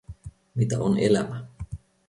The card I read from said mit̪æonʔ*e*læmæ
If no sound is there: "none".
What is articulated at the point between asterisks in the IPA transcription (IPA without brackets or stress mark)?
e